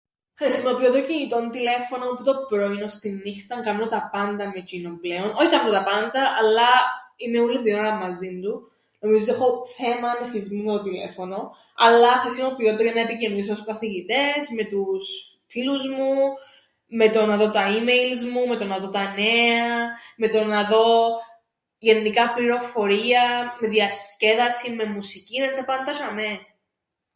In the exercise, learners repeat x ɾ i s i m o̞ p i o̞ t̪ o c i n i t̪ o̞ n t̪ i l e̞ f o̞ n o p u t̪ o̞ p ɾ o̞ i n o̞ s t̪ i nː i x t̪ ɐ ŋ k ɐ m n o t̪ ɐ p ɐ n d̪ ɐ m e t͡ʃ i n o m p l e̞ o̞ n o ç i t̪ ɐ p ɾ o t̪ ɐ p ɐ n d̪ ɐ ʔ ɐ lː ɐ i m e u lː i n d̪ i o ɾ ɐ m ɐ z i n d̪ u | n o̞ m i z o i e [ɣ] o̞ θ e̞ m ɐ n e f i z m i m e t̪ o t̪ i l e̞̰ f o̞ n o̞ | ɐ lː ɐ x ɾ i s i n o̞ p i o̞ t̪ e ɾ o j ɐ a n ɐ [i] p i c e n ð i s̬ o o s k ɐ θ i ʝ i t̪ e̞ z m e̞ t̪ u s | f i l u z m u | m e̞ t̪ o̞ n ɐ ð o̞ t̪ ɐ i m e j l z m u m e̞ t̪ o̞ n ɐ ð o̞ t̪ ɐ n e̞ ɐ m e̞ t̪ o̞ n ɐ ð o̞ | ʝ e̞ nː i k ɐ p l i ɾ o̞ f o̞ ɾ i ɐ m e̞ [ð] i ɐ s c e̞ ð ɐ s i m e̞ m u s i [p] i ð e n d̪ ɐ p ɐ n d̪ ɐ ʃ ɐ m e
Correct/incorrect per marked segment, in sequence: incorrect: x, incorrect: e, correct, incorrect: c

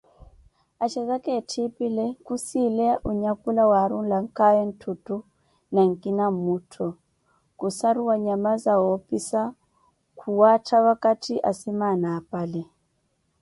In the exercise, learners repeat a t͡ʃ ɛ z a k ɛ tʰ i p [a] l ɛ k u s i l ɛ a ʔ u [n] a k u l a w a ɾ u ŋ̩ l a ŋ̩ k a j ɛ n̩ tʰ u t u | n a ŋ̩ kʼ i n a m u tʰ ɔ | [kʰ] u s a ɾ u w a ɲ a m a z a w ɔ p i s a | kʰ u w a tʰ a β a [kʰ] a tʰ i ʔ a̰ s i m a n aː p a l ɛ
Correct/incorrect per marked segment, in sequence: incorrect: i, incorrect: ɲ, incorrect: k, incorrect: k

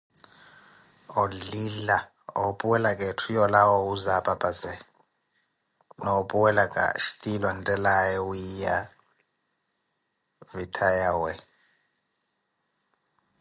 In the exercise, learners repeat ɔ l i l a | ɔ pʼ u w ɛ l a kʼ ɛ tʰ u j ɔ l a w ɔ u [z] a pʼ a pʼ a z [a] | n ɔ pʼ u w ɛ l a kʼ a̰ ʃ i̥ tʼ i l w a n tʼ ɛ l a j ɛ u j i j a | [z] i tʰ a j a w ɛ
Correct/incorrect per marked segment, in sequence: correct, incorrect: ɛ, incorrect: v

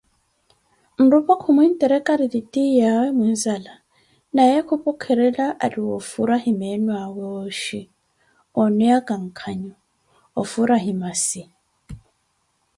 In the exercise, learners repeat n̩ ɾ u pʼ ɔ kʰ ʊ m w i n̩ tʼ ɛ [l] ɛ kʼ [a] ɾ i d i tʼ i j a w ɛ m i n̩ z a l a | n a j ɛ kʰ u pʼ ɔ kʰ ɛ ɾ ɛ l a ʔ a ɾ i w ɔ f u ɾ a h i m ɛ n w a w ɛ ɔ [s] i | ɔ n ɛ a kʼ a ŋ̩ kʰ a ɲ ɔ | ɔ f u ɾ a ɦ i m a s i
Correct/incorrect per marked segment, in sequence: incorrect: ɾ, correct, incorrect: ʃ

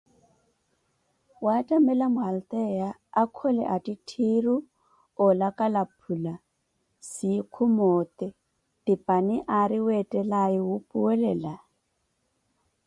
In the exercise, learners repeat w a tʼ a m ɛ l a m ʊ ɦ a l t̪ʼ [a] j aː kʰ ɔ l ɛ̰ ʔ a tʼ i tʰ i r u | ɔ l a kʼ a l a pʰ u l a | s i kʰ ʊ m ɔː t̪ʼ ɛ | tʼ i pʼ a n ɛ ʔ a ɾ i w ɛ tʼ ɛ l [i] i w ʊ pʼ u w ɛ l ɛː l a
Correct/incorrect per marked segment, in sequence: incorrect: ɛ, incorrect: a

